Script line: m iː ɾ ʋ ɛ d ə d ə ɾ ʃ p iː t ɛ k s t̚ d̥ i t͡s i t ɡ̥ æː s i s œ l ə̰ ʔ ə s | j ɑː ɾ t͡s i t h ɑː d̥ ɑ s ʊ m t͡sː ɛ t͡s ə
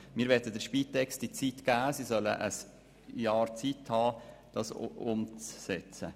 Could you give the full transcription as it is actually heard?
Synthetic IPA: m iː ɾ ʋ ɛ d ə d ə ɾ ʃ p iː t ɛ k s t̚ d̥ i t͡s i t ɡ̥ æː s i s œ l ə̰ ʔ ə s | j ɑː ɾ t͡s i t h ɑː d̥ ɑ s ʊ m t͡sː ɛ t͡s ə

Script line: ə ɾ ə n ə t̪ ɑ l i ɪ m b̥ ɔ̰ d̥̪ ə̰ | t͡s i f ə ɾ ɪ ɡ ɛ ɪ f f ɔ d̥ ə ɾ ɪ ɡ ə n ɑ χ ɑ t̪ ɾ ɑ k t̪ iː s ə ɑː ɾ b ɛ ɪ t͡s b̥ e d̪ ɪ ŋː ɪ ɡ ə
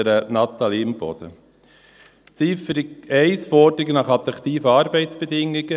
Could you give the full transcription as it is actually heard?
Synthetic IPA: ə ɾ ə n ɑ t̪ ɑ l i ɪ m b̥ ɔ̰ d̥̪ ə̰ | t͡s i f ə ɾ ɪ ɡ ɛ ɪ s f ɔ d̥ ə ɾ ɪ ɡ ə n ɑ χ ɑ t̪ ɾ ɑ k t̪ iː f ə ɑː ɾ b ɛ ɪ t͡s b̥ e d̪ ɪ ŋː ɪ ɡ ə

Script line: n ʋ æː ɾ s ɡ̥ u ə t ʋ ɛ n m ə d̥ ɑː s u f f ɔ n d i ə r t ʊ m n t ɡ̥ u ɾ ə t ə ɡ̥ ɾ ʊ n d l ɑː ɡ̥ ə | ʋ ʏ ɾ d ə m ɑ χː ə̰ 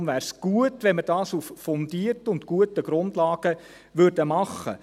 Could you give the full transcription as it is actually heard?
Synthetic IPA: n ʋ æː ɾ s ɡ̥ u ə t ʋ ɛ n m ə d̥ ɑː s u f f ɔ n d i ə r t ʊ n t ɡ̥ u ə t ə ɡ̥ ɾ ʊ n d l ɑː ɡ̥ ə | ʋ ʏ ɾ d ə m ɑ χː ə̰

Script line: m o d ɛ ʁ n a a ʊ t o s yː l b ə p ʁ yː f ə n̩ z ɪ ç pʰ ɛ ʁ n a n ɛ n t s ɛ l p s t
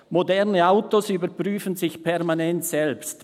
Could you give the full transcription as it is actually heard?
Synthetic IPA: m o d ɛ ʁ n ə a ʊ t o s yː b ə p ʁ yː f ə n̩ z ɪ ç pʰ ɛ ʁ m a n ɛ n t s ɛ l p s t

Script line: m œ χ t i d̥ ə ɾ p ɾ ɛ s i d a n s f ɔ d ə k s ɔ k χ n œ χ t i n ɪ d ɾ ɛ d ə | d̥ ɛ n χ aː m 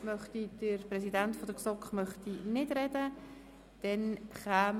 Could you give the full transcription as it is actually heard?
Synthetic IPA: m œ χ t i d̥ ə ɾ p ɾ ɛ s i d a n t f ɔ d ə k s ɔ k χ m œ χ t i n ɪ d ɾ ɛ d ə | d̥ ɛ n χ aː m

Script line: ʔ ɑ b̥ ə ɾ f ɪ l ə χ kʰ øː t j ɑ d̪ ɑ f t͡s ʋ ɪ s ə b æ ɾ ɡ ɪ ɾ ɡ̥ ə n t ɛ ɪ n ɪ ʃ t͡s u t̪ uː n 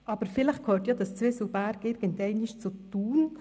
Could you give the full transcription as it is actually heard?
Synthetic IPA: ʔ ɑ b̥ ə ɾ f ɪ l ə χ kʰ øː t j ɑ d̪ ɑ s t͡s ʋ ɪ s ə b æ ɾ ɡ ɪ ɾ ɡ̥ ə n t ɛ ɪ n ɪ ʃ t͡s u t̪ uː n

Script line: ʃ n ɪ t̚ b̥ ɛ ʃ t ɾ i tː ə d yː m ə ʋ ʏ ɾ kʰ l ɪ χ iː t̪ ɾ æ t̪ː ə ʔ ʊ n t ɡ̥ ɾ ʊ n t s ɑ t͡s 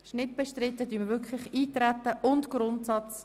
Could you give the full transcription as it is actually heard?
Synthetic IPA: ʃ n ɪ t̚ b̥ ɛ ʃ t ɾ ɪ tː ə d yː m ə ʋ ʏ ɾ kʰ l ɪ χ iː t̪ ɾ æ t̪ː ə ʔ ʊ n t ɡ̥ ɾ ʊ n t s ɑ t͡s

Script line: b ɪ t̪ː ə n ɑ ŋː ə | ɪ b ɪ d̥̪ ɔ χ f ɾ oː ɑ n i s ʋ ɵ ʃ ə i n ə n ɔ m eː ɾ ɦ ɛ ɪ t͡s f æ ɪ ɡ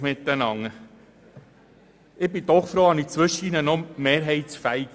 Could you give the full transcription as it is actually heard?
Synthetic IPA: m ɪ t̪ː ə n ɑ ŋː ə | ɪ b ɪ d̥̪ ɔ χ f ɾ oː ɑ n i t͡s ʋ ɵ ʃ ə i n ə n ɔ m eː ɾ ɦ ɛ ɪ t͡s f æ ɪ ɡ

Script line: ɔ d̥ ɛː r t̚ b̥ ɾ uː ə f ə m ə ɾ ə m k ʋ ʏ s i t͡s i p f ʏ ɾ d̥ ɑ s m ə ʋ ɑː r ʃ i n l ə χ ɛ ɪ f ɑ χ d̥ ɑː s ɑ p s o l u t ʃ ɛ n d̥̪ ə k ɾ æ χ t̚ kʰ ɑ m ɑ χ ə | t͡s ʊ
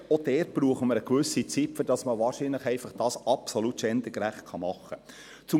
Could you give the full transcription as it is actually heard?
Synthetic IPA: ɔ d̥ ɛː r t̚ b̥ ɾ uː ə χ ə m ə ɾ ə k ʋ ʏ s i t͡s i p f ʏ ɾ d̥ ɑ s m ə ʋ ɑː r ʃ i n l ə χ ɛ ɪ f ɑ χ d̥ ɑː s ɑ p s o l u t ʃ ɛ n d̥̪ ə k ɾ æ χ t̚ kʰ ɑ m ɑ χ ə | t͡s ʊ

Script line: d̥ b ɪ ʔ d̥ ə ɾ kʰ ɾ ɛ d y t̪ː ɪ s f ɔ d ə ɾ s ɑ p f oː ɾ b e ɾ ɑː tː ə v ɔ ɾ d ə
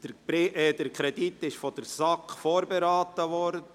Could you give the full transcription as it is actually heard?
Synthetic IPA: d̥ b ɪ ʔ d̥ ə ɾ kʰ ɾ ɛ d i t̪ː ɪ ʃ f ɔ d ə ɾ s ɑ k f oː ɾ b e ɾ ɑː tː ə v ɔ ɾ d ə

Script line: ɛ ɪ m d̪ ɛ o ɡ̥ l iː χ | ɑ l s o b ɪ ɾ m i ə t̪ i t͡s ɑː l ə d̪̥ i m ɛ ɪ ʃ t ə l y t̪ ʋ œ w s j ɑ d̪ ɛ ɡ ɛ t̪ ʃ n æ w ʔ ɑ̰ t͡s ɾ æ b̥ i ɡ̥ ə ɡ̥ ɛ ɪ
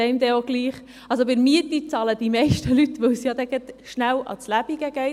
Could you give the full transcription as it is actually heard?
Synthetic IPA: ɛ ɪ m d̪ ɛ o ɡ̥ l iː χ | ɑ l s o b ɪ ɾ m i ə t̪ i t͡s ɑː l ə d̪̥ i m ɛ ɪ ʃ t ə l y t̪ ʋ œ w s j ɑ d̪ ɛ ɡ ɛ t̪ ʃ n æ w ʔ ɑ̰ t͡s l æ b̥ i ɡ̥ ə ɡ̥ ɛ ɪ

